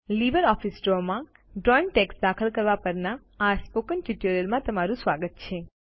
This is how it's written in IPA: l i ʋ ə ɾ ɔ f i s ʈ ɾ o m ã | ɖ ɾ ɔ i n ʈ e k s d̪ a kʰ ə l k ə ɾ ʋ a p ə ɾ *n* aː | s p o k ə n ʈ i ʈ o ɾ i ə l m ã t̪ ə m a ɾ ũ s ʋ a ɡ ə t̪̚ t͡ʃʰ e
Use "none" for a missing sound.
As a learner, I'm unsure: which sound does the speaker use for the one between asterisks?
n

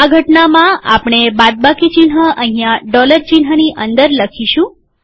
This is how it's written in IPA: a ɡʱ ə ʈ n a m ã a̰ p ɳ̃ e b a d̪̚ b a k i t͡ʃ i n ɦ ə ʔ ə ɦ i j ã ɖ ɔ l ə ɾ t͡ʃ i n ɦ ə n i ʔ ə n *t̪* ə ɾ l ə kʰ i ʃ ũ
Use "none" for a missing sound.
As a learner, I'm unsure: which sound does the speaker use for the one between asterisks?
d̪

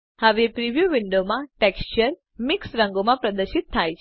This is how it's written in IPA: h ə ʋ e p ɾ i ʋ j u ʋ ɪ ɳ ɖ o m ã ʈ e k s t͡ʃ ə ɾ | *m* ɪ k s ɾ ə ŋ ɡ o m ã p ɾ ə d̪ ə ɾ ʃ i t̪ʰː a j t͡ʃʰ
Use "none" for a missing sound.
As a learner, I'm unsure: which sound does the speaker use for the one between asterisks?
m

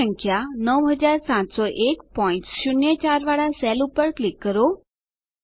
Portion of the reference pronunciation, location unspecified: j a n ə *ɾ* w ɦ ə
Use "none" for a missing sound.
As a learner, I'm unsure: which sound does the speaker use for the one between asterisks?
none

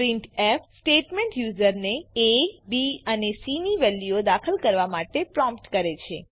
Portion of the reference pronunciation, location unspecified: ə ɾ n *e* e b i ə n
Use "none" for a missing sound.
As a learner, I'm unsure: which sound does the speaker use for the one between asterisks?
e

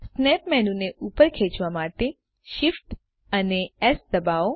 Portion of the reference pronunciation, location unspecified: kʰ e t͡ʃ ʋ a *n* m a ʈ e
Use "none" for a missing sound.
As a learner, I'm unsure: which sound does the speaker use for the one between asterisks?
none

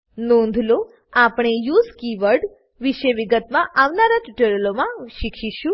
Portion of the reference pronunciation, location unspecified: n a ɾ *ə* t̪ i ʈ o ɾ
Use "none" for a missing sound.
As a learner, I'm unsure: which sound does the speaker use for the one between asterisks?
a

